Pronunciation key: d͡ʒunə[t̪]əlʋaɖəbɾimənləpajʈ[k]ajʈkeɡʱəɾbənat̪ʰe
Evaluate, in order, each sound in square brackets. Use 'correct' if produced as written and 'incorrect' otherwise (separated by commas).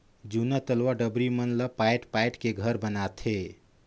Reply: correct, incorrect